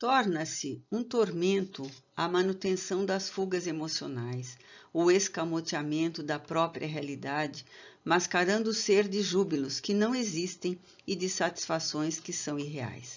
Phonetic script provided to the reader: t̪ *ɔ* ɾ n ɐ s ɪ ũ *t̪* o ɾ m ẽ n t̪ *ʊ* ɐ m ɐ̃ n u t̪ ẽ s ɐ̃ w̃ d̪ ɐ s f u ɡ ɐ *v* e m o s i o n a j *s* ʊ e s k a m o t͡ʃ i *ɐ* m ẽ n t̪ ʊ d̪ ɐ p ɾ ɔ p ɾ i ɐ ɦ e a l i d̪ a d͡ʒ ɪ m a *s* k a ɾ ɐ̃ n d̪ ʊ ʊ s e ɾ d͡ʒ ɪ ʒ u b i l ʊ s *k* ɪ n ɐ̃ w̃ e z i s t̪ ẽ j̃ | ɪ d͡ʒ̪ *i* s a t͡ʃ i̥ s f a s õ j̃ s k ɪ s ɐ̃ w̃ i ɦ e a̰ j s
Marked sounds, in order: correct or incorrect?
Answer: correct, correct, correct, incorrect, correct, incorrect, correct, correct, incorrect

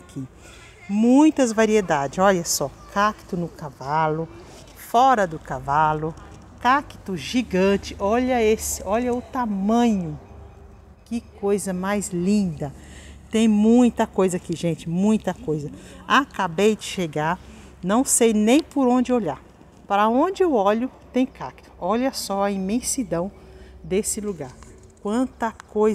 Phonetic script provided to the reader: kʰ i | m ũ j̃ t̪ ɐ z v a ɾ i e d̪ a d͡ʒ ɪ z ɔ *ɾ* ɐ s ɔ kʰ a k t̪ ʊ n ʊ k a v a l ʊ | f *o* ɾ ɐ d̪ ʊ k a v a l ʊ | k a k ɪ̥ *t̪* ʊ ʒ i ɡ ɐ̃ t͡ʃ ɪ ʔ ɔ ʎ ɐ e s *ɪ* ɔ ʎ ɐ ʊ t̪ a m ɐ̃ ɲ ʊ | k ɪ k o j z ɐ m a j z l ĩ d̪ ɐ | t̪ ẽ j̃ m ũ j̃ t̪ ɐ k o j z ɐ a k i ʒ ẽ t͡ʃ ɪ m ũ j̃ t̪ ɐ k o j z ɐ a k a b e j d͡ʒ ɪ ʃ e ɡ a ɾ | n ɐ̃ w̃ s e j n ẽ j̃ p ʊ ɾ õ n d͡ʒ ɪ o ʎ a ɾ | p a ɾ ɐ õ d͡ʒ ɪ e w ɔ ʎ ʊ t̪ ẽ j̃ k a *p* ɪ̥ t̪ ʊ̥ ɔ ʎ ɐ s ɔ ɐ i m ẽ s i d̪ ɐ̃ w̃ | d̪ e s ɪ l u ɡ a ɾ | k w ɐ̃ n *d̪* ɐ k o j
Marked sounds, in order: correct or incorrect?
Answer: incorrect, incorrect, correct, correct, incorrect, incorrect

